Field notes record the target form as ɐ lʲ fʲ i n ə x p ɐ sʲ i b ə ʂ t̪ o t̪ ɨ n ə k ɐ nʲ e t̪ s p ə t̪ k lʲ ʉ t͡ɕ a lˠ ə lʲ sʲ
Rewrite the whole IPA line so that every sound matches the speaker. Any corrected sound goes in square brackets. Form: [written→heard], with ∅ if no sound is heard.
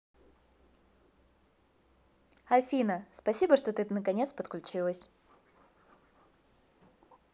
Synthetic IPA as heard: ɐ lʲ fʲ i n ə [x→s] p ɐ sʲ i b ə ʂ t̪ o t̪ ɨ n ə k ɐ nʲ e t̪ s p ə t̪ k lʲ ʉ t͡ɕ [a→i] lˠ ə [lʲ→∅] sʲ